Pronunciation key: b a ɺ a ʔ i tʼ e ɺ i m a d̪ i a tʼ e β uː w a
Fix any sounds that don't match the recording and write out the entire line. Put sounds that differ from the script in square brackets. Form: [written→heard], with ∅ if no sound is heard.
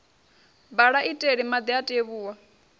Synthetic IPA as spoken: b a ɺ a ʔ i tʼ e ɺ i m a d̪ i a tʼ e β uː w a